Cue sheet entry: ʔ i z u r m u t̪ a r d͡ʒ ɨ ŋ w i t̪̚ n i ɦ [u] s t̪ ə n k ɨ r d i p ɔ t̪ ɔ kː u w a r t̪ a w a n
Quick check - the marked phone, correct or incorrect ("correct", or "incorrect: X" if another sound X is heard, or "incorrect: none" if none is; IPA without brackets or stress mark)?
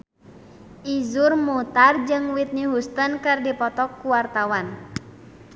correct